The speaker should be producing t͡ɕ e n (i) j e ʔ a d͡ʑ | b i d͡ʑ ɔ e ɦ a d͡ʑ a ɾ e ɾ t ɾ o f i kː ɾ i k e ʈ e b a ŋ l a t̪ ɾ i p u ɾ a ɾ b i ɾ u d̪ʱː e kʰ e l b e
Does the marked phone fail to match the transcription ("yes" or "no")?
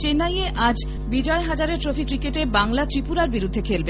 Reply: yes